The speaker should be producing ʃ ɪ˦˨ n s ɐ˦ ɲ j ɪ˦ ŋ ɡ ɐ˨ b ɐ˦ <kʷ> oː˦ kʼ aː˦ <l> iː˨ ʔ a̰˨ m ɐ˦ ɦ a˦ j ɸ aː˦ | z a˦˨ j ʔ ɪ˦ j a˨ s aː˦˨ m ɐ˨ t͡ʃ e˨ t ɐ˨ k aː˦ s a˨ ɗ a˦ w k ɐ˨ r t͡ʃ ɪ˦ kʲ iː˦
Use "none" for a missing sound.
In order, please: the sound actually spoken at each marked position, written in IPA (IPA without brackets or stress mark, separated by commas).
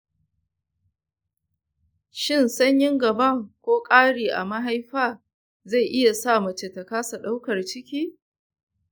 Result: kʷ, ɽ